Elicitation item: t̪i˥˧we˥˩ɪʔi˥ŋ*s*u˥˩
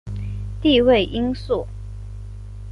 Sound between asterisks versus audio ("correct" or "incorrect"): correct